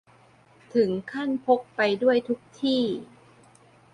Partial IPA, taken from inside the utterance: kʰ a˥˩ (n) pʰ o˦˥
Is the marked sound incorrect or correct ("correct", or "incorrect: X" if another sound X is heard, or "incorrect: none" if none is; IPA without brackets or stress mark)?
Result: correct